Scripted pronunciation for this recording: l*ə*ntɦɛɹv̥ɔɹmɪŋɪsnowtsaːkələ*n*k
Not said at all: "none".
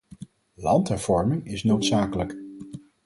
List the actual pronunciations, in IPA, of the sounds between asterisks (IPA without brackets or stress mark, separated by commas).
ɑ, none